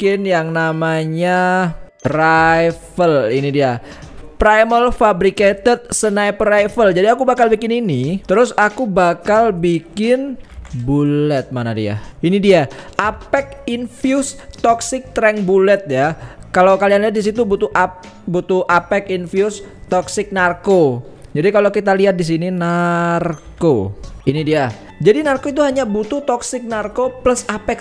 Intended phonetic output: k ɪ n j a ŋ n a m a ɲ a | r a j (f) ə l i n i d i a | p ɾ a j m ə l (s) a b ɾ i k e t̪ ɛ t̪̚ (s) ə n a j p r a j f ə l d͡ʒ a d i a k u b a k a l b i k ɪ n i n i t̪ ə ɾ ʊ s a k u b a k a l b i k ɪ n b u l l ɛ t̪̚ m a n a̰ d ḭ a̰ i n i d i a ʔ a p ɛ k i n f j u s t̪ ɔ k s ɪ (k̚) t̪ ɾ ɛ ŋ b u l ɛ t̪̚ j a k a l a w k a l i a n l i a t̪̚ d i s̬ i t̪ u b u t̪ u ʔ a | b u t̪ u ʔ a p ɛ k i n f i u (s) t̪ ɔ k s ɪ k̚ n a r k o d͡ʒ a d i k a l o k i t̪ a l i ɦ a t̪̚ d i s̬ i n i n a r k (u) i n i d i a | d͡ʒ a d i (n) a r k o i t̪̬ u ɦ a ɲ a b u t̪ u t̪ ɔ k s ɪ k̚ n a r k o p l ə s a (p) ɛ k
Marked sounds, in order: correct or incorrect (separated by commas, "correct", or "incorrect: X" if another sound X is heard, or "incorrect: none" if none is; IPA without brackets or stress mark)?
correct, incorrect: f, correct, correct, correct, incorrect: o, correct, correct